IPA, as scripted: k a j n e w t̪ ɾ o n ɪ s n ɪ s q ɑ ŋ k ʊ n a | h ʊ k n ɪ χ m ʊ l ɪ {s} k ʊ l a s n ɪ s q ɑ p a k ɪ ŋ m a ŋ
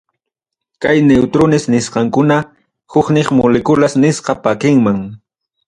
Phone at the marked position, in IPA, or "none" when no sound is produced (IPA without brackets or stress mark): none